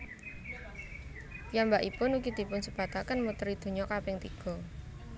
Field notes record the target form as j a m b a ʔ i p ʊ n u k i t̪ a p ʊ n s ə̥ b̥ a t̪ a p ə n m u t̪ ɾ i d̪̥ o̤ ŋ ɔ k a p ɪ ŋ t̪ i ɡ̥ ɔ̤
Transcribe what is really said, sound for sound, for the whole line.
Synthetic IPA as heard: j a m b a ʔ i p ʊ n u k i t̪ i p ʊ n s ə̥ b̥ a t̪ a k ə n m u t̪ ɾ i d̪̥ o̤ ɲ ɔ k a p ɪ ŋ t̪ i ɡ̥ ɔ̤